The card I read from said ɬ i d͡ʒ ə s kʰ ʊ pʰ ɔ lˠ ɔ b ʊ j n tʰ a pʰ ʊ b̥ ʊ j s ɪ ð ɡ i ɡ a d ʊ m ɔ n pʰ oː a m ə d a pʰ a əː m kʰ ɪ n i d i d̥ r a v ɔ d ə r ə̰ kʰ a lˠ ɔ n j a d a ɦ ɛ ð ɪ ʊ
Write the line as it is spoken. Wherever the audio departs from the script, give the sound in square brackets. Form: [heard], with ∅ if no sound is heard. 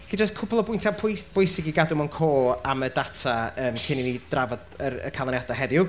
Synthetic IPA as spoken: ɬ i d͡ʒ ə s kʰ ʊ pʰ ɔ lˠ ɔ b ʊ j n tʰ a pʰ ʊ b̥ ʊ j s ɪ [∅] ɡ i ɡ a d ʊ m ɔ n [kʰ] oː a m ə d a [tʰ] a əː m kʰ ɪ n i [n] i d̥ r a v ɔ d ə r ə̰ kʰ a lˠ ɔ n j a d a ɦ ɛ ð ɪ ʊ